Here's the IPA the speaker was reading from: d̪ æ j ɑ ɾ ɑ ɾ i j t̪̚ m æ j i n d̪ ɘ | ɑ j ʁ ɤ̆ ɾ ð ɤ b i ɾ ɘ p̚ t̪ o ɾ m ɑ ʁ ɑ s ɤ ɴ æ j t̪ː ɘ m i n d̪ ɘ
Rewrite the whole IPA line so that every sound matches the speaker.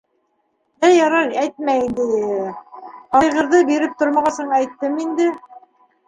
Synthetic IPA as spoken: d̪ æ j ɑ ɾ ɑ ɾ æ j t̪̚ m æ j i n d̪ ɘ | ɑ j ʁ ɤ̆ ɾ ð ɤ b i ɾ ɘ p̚ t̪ o ɾ m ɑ ʁ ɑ s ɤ ɴ æ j t̪ː ɘ m i n d̪ ɘ